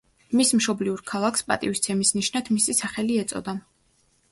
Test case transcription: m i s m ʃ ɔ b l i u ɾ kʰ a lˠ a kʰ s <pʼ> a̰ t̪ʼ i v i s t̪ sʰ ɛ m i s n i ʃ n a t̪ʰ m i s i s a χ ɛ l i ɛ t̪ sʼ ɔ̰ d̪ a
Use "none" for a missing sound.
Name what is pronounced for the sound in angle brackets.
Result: pʼ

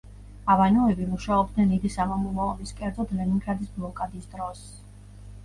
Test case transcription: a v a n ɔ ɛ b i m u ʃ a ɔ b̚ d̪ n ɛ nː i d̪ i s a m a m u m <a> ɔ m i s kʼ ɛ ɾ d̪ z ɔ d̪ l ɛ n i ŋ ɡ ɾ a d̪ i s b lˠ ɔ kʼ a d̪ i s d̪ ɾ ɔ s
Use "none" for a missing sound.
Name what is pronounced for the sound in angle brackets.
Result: a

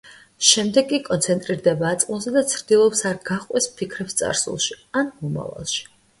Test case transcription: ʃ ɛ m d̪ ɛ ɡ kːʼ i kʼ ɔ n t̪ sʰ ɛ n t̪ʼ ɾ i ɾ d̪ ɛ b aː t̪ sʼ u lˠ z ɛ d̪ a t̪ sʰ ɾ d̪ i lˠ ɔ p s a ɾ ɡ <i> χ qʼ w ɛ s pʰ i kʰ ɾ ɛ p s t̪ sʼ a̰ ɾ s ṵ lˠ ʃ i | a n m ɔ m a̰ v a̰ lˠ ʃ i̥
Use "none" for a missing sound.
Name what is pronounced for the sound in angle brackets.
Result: a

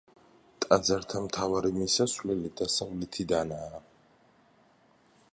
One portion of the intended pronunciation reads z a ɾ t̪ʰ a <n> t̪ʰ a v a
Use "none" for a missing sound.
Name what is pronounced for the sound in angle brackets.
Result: m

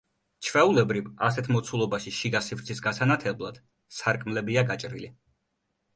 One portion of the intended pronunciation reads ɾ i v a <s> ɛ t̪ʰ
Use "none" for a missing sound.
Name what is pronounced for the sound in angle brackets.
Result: s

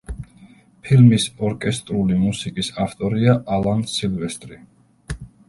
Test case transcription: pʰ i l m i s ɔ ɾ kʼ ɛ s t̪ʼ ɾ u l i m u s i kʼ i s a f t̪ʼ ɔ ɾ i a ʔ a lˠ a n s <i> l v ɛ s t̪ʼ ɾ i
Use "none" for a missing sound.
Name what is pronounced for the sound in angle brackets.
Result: i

